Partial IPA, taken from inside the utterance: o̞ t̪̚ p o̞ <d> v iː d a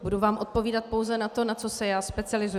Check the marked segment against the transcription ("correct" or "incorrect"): incorrect